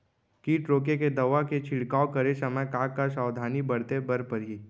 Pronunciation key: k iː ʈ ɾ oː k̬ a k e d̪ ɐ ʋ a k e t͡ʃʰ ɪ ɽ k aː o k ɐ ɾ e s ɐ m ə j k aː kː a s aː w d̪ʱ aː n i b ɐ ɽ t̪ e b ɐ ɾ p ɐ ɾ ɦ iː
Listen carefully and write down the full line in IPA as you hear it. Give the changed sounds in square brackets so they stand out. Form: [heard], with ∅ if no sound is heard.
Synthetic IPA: k iː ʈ ɾ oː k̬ [e] k e d̪ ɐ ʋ a k e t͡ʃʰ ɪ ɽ k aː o k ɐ ɾ e s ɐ m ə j k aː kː a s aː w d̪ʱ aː n i b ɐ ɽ t̪ e b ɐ ɾ p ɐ ɾ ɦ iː